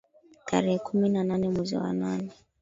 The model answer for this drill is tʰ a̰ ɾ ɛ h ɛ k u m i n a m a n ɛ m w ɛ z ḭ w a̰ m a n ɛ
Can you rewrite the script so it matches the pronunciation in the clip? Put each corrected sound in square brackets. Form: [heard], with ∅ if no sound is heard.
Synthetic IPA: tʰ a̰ ɾ ɛ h ɛ k u m i n a [n] a n ɛ m w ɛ z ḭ w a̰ [n] a n ɛ